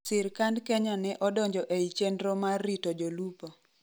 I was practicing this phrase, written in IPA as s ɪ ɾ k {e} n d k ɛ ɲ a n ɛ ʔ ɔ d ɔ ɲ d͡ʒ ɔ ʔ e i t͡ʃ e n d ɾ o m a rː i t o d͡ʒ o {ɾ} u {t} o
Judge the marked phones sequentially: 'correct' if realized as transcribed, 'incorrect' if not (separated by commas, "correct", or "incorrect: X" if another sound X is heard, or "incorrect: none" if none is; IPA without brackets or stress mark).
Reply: incorrect: a, incorrect: l, incorrect: p